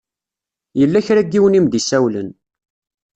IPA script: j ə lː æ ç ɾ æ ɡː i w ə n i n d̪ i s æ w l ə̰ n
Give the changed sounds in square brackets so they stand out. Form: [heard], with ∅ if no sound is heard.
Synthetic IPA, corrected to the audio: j ə lː æ ç ɾ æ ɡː i w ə n i [m] d̪ i s æ w l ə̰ n